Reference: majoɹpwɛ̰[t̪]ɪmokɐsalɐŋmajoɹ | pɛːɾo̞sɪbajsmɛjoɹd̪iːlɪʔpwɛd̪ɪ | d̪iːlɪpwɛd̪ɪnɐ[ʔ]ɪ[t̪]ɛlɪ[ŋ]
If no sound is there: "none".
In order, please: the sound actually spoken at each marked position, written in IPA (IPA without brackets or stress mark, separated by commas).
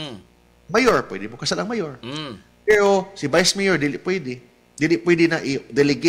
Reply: d̪, ʔ, d̪, ɡ